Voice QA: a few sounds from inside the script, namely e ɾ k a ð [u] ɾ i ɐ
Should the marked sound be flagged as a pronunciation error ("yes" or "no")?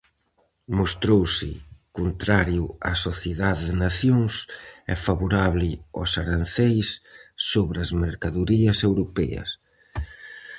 no